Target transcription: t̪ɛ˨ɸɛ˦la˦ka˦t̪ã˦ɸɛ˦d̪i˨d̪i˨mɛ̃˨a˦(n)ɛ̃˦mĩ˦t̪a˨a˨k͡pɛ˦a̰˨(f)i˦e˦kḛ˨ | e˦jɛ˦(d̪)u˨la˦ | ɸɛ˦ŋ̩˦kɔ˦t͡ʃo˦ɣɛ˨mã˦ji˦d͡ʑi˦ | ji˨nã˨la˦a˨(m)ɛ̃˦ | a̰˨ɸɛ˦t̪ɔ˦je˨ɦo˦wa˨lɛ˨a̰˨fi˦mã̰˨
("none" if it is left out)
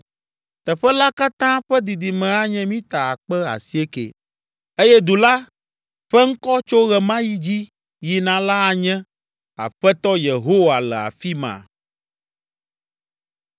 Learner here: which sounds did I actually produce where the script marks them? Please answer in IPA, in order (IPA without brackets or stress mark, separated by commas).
ɲ, s, d̪, ɲ